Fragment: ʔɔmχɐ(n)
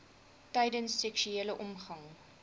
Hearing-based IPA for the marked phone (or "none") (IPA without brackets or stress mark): ŋ